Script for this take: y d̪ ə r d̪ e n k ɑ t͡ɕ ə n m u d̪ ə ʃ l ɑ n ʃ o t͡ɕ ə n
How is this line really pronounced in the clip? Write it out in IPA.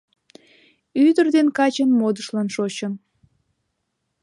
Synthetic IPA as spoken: y d̪ ə r d̪ e n k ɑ t͡ɕ ə n m o d̪ ə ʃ l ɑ n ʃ o t͡ɕ ə n